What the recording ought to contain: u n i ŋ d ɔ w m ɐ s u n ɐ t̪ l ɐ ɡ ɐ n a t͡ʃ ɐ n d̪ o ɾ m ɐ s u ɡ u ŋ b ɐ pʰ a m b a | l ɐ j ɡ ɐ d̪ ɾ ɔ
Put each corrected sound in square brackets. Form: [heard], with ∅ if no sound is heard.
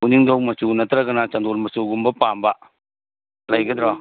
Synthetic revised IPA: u n i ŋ d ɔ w m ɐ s u n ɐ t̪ [ɾ] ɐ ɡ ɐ n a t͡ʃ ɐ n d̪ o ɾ m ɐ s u ɡ u [m] b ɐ [p] a m b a | l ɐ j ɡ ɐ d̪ ɾ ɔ